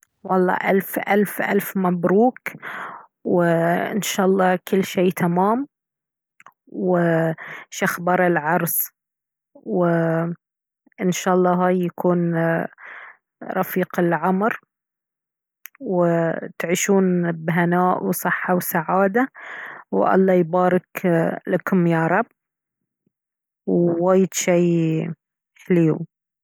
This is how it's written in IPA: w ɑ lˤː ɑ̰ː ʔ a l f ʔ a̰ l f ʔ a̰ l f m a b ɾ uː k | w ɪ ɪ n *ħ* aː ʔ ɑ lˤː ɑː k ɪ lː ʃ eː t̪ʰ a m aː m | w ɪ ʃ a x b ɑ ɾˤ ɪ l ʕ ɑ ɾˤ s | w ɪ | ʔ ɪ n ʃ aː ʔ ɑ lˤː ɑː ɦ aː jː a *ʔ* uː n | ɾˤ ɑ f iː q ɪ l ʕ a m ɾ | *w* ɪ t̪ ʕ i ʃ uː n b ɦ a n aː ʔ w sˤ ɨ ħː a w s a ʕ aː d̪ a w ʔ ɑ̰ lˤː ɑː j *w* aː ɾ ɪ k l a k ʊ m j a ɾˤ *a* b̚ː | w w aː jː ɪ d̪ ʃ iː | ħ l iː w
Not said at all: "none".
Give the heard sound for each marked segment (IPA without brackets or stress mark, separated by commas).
ʃ, k, w, b, ɑ